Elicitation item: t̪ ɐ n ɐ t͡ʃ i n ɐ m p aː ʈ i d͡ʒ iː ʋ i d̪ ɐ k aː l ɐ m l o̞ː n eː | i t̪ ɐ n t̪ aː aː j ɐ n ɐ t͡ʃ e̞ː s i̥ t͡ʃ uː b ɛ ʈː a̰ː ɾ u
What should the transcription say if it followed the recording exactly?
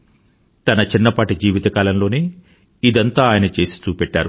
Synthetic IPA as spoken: t̪ ɐ n ɐ t͡ʃ i nː ɐ p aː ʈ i d͡ʒ iː ʋ i t̪ ɐ k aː l ɐ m l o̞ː n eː | i d̪ ɐ n t̪ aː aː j ɐ n ɐ t͡ʃ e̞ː s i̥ t͡ʃ uː p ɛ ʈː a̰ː ɾ u

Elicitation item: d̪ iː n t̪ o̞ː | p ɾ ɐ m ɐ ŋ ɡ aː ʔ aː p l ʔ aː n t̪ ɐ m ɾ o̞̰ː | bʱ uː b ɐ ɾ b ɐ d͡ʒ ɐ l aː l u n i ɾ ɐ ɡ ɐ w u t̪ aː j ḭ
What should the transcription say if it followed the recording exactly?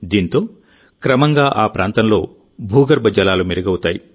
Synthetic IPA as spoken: d̪ iː n t̪ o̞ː | k ɾ ɐ m ɐ ŋ ɡ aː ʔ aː p ɾ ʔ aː n t̪ ɐ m l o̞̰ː | bʱ uː ɡ ɐ ɾ b ɐ d͡ʒ ɐ l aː l u m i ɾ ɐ ɡ ɐ w u t̪ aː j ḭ

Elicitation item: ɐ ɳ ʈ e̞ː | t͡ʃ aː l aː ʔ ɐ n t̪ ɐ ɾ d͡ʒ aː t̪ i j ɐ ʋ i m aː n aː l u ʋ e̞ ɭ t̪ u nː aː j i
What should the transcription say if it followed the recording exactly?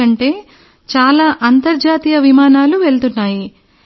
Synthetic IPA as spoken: ɐ ɳ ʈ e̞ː | t͡ʃ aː l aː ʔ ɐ n t̪ ɐ ɾ d͡ʒ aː t̪ i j ɐ ʋ i m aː n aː l u ʋ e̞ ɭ t̪ u nː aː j i

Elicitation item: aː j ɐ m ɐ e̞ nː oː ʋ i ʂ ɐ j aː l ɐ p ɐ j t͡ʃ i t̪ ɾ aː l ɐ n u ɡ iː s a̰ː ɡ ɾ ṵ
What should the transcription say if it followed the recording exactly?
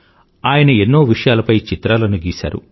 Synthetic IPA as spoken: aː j ɐ n ɐ e̞ nː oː ʋ i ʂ ɐ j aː l ɐ p ɐ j t͡ʃ i t̪ ɾ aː l ɐ n u ɡ iː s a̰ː ɾ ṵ

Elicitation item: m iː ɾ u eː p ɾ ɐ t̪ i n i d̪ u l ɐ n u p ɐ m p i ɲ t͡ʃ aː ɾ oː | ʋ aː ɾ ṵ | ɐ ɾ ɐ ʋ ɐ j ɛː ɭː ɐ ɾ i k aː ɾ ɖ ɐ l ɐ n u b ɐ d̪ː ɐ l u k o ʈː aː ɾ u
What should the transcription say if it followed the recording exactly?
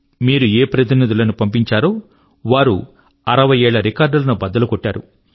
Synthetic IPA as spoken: m iː ɾ u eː p ɾ ɐ t̪ i n i d̪ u l ɐ n u p ɐ m p i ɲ t͡ʃ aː ɾ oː | ʋ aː ɾ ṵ | ɐ ɾ ɐ ʋ ɐ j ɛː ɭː ɐ ɾ i k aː ɾ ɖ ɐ l ɐ n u b ɐ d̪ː ɐ l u k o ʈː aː ɾ u

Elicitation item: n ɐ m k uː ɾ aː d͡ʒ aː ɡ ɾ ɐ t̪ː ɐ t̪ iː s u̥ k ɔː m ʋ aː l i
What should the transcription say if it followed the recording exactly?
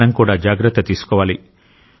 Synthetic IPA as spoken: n ɐ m k uː ɽ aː d͡ʒ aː ɡ ɾ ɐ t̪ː ɐ t̪ iː s u̥ k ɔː ʋ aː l i

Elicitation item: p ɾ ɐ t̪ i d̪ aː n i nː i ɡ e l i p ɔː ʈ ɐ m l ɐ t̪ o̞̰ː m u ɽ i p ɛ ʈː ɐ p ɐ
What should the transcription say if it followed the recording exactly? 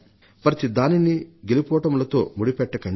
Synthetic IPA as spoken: p ɾ ɐ t̪ i d̪ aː n i n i ɡ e l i p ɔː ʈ ɐ m l ɐ t̪ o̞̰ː m u ɽ i p ɛ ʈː ɐ k ɐ

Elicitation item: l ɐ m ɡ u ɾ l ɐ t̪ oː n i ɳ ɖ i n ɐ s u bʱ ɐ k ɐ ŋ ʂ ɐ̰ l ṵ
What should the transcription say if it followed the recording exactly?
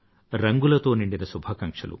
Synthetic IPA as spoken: ɾ ɐ ŋ ɡ u l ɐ t̪ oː n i ɳ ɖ i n ɐ s u bʱ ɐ k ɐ ŋ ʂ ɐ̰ l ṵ

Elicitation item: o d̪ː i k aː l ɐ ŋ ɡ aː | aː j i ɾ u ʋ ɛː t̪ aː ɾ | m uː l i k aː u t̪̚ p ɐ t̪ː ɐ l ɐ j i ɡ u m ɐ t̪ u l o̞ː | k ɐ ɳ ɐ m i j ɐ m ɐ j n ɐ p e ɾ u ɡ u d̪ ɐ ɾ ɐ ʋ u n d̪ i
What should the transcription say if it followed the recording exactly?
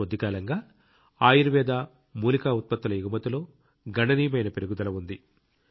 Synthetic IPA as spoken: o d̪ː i k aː l ɐ ŋ ɡ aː | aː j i ɾ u ʋ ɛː d̪ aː | m uː l i k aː u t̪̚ p ɐ t̪ː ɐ l ɐ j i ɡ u m ɐ t̪ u l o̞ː | ɡ ɐ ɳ ɐ n i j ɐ m ɐ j n ɐ p e ɾ u ɡ u d̪ ɐ l ɐ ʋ u n d̪ i

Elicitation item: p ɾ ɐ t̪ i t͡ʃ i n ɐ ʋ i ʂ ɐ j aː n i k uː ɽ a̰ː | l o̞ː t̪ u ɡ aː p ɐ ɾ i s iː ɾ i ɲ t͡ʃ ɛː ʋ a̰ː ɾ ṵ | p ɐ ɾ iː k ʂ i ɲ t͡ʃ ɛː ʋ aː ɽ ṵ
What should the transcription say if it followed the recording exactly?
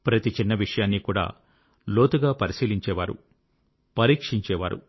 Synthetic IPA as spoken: p ɾ ɐ t̪ i t͡ʃ i nː ɐ ʋ i ʂ ɐ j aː nː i k uː ɽ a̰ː | l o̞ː t̪ u ɡ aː p ɐ ɾ i s iː l i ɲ t͡ʃ ɛː ʋ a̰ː ɾ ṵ | p ɐ ɾ iː k ʂ i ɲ t͡ʃ ɛː ʋ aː ɾ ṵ

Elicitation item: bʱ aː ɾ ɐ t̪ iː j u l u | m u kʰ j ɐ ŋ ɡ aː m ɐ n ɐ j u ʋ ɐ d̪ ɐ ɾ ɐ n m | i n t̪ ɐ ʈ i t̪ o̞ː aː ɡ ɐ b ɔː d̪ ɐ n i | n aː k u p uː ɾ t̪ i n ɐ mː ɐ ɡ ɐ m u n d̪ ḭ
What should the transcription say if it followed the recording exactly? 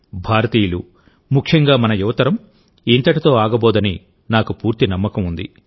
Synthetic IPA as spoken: bʱ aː ɾ ɐ t̪ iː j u l u | m u kʰ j ɐ ŋ ɡ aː m ɐ n ɐ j u ʋ ɐ t̪ ɐ ɾ ɐ m | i n t̪ ɐ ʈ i t̪ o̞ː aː ɡ ɐ b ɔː d̪ ɐ n i | n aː k u p uː ɾ t̪ i n ɐ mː ɐ k ɐ m u n d̪ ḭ

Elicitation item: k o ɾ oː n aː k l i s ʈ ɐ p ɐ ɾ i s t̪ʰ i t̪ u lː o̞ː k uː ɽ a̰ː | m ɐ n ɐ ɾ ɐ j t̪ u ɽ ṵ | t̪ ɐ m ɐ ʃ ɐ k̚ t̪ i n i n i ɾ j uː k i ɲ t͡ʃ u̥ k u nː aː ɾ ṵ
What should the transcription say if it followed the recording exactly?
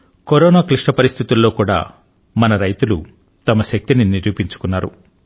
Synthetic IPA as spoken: k o ɾ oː n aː k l i ʂ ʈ ɐ p ɐ ɾ i s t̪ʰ i t̪ u lː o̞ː k uː ɽ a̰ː | m ɐ n ɐ ɾ ɐ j t̪ u l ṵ | t̪ ɐ m ɐ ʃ ɐ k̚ t̪ i n i n i ɾ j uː p i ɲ t͡ʃ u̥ k u nː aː ɾ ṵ

